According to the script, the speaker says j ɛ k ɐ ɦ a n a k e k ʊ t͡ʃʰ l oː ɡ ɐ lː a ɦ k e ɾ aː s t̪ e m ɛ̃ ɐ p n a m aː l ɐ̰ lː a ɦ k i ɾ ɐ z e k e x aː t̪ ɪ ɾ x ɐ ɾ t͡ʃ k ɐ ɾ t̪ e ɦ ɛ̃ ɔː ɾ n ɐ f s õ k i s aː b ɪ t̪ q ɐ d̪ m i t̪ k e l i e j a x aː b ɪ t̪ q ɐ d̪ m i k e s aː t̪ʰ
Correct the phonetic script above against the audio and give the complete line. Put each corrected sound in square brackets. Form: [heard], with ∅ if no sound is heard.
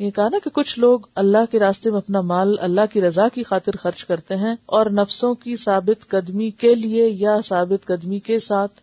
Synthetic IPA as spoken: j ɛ k ɐ ɦ a n a k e k ʊ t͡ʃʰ l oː ɡ ɐ lː a ɦ k e ɾ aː s t̪ e m [ẽ] ɐ p n a m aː l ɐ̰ lː a ɦ k i ɾ ɐ z [a] k [i] x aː t̪ ɪ ɾ x ɐ ɾ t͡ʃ k ɐ ɾ t̪ e ɦ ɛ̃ ɔː ɾ n ɐ f s õ k i s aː b ɪ t̪ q ɐ d̪ m i [∅] k e l i e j a [s] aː b ɪ t̪ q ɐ d̪ m i k e s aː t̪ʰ